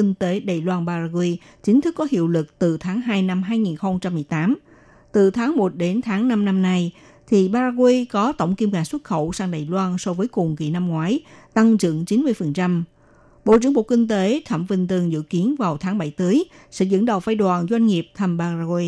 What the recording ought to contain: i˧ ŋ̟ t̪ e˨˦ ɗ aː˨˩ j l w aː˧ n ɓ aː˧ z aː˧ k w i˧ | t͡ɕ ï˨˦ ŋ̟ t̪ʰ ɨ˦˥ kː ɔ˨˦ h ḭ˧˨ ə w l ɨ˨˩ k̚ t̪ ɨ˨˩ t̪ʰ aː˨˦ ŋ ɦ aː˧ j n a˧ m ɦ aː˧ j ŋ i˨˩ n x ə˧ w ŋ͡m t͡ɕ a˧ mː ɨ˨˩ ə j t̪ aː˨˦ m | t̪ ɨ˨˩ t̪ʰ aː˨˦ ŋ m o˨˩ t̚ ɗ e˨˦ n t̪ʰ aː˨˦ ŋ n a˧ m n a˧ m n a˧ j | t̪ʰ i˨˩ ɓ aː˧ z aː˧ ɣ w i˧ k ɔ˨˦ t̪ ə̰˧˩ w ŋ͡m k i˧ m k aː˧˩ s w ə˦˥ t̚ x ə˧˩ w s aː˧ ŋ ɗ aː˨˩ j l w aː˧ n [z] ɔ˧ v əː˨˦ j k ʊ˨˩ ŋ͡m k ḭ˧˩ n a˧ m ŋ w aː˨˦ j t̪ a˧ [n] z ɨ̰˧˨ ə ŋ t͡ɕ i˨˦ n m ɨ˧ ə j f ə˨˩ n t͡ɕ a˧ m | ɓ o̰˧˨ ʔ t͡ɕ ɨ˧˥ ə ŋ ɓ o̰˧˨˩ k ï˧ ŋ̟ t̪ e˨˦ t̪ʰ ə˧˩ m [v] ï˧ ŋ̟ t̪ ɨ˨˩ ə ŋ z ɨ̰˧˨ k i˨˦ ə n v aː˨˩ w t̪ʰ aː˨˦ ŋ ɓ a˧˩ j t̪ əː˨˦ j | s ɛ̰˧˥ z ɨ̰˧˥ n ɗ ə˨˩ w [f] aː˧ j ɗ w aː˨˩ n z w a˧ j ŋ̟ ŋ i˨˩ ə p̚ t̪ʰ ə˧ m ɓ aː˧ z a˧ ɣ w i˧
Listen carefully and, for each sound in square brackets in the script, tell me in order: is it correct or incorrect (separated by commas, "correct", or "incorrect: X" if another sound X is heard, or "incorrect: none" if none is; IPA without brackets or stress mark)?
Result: incorrect: s, incorrect: ŋ, correct, correct